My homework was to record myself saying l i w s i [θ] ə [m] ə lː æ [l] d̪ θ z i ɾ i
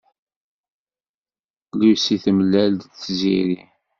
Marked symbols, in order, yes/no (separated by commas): yes, yes, yes